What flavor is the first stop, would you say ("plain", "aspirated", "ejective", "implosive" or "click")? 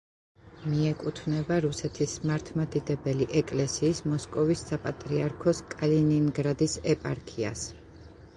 ejective